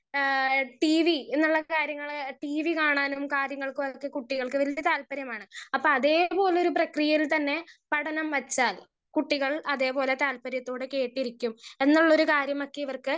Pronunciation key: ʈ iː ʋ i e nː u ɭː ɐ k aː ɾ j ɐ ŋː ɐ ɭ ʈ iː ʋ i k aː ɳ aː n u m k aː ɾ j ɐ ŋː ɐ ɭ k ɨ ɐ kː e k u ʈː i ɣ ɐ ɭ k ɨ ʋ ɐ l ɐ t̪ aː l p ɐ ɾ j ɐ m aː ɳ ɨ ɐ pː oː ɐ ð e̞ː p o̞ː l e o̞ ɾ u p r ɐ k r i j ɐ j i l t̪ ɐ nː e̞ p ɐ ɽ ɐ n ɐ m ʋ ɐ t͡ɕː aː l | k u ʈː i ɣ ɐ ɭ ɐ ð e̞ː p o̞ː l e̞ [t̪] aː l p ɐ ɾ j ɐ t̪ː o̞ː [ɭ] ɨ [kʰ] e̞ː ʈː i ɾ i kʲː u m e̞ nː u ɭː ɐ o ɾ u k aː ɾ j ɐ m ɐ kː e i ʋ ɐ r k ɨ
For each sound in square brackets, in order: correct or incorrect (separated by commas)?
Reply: correct, incorrect, incorrect